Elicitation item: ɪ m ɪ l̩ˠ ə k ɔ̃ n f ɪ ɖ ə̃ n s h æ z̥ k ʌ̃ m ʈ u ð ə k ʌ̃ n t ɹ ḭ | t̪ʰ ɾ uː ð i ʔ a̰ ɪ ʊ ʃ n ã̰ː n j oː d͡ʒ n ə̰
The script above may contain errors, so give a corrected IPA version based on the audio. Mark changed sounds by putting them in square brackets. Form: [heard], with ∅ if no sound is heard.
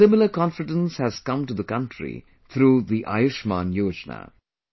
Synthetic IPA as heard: ɪ m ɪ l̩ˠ ə k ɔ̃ n f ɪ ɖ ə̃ n s h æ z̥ k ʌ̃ m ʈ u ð ə k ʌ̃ n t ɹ ḭ | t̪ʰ ɾ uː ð i ʔ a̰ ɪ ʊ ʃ [m] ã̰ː n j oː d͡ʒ n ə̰